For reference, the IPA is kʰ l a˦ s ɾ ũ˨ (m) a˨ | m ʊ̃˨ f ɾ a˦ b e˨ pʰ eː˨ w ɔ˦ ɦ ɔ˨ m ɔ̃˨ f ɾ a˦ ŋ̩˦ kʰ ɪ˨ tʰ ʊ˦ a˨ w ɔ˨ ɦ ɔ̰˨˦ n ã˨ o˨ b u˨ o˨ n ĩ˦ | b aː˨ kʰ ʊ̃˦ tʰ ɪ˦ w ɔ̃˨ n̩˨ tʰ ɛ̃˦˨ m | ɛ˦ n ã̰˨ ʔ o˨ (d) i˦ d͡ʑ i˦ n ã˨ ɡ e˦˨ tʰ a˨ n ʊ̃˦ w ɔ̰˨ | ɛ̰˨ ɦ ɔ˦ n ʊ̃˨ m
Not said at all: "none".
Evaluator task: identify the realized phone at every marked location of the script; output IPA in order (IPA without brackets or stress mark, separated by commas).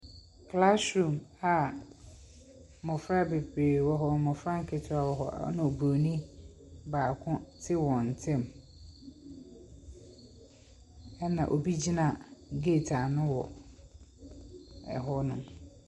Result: m, b